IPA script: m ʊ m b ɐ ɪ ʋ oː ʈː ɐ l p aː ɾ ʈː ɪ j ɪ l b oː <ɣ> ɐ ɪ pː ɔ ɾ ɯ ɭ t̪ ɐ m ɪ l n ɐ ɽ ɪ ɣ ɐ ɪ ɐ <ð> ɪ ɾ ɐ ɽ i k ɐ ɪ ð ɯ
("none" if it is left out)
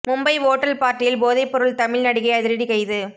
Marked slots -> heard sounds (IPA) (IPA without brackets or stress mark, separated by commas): ð, ð